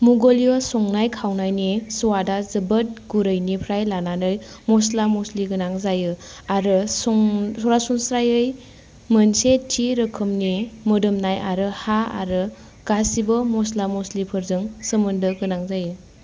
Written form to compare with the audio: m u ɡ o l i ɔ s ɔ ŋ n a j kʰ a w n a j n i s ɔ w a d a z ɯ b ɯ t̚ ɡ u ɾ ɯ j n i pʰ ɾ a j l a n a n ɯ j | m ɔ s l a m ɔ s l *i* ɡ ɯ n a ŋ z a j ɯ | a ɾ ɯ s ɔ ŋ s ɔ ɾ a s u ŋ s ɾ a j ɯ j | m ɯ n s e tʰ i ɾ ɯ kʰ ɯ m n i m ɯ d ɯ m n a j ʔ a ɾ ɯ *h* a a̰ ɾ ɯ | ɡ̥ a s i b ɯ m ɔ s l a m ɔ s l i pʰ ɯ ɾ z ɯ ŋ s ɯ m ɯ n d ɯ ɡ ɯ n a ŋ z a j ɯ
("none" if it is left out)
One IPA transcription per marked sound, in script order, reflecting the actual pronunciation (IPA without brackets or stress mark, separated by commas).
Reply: i, h